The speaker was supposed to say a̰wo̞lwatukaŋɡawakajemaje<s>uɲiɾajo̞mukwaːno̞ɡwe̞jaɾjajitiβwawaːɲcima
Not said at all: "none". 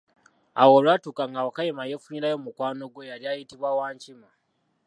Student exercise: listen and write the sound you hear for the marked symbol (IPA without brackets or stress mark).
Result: f